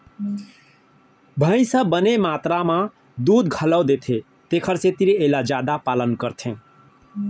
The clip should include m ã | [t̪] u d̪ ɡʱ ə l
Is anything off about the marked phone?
yes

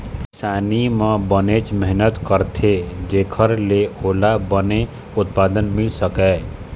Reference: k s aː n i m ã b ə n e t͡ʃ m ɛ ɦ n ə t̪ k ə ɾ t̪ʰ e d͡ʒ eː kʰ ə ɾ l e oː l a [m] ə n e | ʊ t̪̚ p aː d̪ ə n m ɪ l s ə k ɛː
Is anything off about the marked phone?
yes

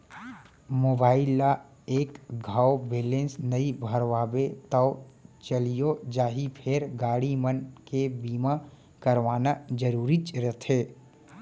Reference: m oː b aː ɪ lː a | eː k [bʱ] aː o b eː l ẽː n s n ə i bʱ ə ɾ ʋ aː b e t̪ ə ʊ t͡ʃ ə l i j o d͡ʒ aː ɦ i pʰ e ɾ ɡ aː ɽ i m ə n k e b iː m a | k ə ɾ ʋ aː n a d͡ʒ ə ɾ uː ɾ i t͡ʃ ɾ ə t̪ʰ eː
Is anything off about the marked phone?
yes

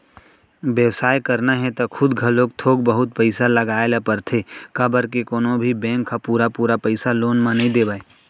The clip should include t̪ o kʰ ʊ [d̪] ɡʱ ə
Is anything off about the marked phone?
no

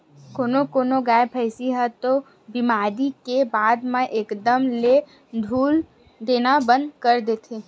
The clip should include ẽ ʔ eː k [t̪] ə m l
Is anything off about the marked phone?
yes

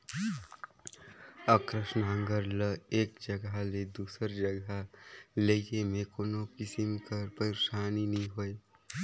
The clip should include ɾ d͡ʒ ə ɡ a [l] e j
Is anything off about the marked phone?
no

